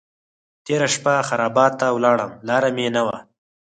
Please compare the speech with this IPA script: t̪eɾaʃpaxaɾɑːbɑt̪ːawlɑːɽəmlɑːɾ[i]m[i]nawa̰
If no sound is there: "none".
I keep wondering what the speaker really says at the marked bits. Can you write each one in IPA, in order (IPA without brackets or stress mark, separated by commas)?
a, e